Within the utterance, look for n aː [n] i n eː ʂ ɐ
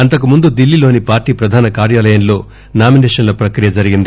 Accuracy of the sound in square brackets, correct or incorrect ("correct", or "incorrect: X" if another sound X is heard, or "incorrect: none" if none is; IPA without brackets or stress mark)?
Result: incorrect: m